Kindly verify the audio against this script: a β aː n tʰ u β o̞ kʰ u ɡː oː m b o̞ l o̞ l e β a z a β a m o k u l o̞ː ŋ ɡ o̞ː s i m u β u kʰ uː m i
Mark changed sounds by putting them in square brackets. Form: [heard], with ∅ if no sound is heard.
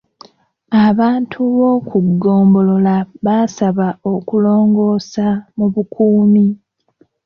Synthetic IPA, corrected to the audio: a β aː n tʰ u β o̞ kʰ u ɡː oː m b o̞ l o̞ l [a] β a [s] a β a [∅] o k u l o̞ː ŋ ɡ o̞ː s [a] m u β u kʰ uː m i

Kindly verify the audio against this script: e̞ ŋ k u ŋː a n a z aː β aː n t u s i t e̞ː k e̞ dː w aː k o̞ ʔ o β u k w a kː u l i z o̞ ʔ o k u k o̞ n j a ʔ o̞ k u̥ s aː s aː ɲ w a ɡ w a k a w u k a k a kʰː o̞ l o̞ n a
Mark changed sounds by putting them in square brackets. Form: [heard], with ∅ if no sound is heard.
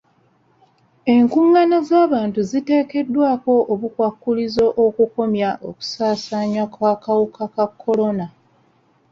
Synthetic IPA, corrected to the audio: e̞ ŋ k u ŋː a n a z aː β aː n t u [z] i t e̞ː k e̞ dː w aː k o̞ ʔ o β u k w a kː u l i z o̞ ʔ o k u k o̞ [m] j a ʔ o̞ k u̥ s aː s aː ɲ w a [k] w a k a w u k a k a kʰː o̞ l o̞ n a

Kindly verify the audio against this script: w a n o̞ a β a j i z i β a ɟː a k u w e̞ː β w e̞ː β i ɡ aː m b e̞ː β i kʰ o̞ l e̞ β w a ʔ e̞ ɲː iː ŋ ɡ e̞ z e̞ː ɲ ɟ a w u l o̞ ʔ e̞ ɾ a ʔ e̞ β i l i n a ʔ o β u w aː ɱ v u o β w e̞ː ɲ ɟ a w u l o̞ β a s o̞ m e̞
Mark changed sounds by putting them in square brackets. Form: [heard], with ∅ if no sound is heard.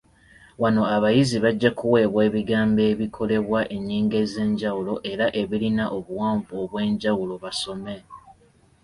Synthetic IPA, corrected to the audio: w a n o̞ a β a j i z i β a ɟː a k u w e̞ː β w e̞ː β i ɡ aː m b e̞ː β i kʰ o̞ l e̞ β w a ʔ e̞ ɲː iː ŋ ɡ e̞ z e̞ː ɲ ɟ a w u l o̞ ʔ e̞ ɾ a ʔ e̞ β i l i n a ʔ o β u w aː ɱ v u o β w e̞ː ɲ ɟ a w u l o̞ β a s o̞ m e̞

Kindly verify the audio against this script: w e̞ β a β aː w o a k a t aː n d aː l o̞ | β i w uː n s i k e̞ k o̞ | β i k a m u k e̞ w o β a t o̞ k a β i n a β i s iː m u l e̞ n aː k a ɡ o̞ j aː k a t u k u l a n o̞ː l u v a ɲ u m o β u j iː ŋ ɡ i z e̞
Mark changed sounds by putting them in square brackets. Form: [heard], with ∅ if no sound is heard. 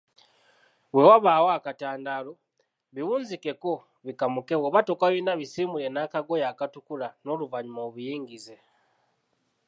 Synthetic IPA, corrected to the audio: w e̞ [w] a β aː w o a k a t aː n d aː l o̞ | β i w uː n [z] i k e̞ k o̞ | β i k a m u k e̞ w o β a t o̞ k a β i n a β i s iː m u l e̞ n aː k a ɡ o̞ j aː k a t u k u l a n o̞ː l u v a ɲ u m o β u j iː ŋ ɡ i z e̞

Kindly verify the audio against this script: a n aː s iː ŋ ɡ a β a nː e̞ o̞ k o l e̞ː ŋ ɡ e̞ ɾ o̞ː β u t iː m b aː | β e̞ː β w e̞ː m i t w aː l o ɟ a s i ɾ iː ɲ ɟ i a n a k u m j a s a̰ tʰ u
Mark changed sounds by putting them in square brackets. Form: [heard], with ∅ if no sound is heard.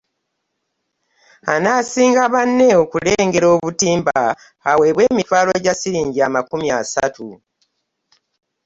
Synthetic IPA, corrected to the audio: a n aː s iː ŋ ɡ a β a nː e̞ o̞ k [u] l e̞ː ŋ ɡ e̞ ɾ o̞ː β u t iː m b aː | [w] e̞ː β w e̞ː m i t w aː l o ɟ a s i ɾ iː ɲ ɟ i a [m] a k u m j a s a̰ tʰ u

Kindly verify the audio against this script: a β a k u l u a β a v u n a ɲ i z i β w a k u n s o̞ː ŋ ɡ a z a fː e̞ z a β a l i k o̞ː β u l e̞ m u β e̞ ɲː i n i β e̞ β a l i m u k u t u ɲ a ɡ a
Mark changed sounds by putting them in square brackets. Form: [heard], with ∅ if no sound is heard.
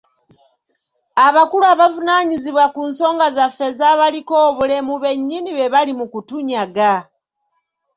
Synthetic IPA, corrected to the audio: a β a k u l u a β a v u n a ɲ i z i β w a k u n s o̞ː ŋ ɡ a z a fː e̞ z a β a l i k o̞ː β u l e̞ m u β e̞ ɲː i n i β e̞ β a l i m u k u t u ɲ a ɡ a

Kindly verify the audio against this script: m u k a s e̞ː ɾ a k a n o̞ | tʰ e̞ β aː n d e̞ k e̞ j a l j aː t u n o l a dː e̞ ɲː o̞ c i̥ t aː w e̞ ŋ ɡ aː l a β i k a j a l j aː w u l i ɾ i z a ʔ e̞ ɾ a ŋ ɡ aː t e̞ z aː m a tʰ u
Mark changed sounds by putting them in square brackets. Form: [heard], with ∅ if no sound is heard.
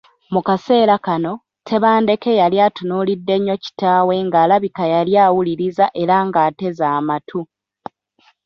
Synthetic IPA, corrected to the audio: m u k a s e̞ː ɾ a k a n o̞ | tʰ e̞ β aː n d e̞ k e̞ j a l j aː t u n [u] l [i] dː e̞ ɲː o̞ c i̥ t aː w e̞ ŋ ɡ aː l a β i k a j a l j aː w u l i ɾ i z a ʔ e̞ ɾ a ŋ ɡ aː t e̞ z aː m a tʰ u

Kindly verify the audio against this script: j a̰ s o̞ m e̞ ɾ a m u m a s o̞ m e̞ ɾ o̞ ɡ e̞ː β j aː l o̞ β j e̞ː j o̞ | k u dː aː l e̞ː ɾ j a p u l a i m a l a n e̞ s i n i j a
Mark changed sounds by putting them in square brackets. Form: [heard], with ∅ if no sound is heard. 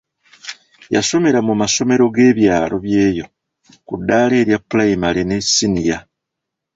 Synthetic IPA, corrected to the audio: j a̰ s o̞ m e̞ ɾ a m u m a s o̞ m e̞ ɾ o̞ ɡ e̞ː β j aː l o̞ β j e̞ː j o̞ | k u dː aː l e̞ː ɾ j a p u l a i m a l [e] n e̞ s i n i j a

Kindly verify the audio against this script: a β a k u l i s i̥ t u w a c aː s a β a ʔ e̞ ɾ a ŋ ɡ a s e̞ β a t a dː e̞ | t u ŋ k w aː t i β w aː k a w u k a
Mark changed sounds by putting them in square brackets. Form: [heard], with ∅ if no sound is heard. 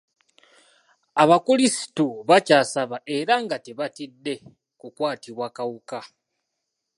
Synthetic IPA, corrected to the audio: a β a k u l i s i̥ t u [β] a c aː s a β a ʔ e̞ ɾ a ŋ ɡ a [t] e̞ β a t [i] dː e̞ | [k] u [∅] k w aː t i β w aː k a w u k a

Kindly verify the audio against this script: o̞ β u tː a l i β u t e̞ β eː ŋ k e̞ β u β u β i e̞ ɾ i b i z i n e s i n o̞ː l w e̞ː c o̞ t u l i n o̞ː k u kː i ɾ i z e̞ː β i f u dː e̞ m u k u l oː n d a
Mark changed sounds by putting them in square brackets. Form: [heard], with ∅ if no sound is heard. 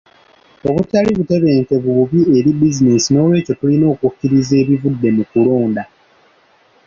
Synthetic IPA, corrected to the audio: o̞ β u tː a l i β u t e̞ β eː ŋ k e̞ β u β u β i e̞ ɾ i b i z i n e s i n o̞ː l w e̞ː c o̞ t u l i n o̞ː k u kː i ɾ i z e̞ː β i [v] u dː e̞ m u k u l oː n d a

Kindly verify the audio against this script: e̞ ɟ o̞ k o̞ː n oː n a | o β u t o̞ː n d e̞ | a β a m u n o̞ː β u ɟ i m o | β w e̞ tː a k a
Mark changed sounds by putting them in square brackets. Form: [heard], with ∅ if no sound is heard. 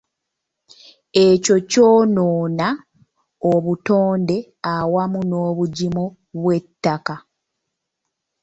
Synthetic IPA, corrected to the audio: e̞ [c] o̞ [c] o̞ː n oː n a | o β u t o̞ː n d e̞ | a [w] a m u n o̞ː β u ɟ i m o | β w e̞ tː a k a

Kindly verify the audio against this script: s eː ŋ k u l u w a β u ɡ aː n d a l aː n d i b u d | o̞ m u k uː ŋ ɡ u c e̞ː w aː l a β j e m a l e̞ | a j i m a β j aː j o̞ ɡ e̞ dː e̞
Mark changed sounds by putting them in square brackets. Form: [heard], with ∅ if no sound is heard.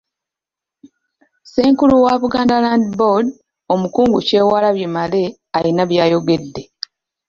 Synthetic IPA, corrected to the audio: s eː ŋ k u l u w a β u ɡ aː n d a l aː n d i b [o] d | o̞ m u k uː ŋ ɡ u c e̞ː w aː l a β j e m a l e̞ | a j i [n] a β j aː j o̞ ɡ e̞ dː e̞

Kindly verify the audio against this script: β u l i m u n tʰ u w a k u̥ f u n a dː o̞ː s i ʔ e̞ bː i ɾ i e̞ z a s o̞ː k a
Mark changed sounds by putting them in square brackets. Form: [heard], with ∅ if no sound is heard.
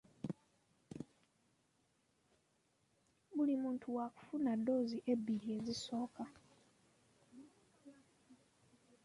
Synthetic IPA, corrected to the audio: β u l i m [uː] n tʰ u w a k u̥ f u n a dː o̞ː [z] i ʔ e̞ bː i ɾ i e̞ z [i] s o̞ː k a

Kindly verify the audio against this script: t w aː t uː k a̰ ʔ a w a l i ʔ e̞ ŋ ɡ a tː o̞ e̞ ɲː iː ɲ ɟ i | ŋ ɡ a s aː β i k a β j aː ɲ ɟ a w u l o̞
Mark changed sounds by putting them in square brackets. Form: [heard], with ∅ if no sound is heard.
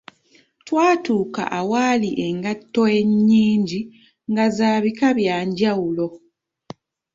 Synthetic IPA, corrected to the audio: t w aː t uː k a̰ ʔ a w a l i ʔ e̞ ŋ ɡ a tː o̞ e̞ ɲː iː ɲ ɟ i | ŋ ɡ a [z] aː β i k a β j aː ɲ ɟ a w u l o̞

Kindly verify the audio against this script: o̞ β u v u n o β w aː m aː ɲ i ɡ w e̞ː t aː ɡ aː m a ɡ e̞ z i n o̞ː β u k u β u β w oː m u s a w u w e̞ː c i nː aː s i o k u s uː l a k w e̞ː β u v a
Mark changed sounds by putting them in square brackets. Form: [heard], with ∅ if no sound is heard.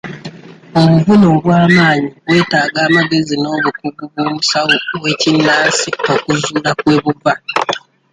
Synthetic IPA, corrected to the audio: o̞ β u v u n o β w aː m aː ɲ i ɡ w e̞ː t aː ɡ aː m a ɡ e̞ z i n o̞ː β u k u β u β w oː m u s a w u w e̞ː c i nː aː s i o k u [z] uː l a k w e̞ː β u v a

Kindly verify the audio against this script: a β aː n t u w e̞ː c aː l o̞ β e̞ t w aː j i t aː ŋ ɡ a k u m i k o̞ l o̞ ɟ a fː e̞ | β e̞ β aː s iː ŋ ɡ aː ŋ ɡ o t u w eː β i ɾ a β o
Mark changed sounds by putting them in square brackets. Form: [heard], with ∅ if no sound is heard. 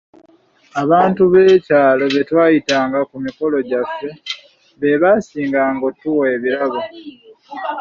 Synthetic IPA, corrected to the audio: a β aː n t u [β] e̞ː c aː l o̞ β e̞ t w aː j i t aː ŋ ɡ a k u m i k o̞ l o̞ ɟ a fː e̞ | β e̞ β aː s iː ŋ ɡ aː ŋ ɡ o t u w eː β i ɾ a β o

